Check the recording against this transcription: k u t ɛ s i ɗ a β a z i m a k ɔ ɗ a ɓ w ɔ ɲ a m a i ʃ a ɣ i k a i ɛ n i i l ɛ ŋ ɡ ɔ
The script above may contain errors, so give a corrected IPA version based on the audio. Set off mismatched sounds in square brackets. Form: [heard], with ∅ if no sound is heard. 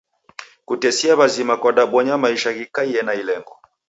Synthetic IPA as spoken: k u t ɛ s i [∅] a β a z i m a k ɔ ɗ a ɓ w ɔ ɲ a m a i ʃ a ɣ i k a i ɛ n [a] i l ɛ ŋ ɡ ɔ